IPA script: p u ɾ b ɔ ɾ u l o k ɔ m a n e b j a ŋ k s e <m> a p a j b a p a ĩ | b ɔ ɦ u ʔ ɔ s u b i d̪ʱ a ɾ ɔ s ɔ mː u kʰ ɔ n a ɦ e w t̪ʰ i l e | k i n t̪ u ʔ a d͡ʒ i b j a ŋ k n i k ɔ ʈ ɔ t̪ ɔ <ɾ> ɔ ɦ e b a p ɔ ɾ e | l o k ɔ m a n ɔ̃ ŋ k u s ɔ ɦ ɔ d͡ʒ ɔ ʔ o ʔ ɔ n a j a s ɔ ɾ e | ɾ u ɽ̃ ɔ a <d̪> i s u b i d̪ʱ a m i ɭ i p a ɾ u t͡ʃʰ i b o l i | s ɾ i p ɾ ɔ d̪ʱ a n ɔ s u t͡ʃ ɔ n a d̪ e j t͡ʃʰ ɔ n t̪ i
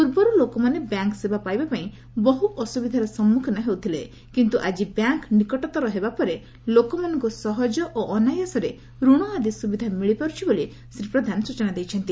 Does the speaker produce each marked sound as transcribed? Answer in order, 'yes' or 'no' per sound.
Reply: no, yes, yes

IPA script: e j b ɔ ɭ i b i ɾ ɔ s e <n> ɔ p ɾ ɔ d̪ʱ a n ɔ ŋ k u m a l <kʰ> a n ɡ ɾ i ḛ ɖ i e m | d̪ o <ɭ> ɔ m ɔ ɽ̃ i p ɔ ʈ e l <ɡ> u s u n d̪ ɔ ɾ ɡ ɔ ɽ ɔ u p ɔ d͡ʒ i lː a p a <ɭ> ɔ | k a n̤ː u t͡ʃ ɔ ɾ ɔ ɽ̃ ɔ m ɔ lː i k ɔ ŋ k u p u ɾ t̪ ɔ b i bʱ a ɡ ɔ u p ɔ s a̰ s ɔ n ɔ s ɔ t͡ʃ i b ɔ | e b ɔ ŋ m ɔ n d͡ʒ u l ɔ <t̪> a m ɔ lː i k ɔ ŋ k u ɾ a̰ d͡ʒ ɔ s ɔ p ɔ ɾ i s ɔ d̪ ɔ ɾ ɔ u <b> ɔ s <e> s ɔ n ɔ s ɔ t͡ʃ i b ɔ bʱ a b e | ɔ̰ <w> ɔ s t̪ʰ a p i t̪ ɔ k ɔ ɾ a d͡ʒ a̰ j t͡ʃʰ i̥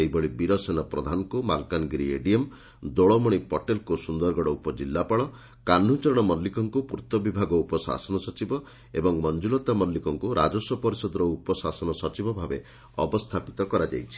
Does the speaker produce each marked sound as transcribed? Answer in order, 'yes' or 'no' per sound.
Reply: yes, no, yes, no, yes, yes, no, no, no

